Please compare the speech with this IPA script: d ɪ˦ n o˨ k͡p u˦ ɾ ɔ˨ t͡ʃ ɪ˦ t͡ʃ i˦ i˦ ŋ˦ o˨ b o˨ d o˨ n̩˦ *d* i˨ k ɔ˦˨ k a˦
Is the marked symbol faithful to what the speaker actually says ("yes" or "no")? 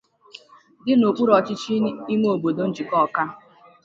no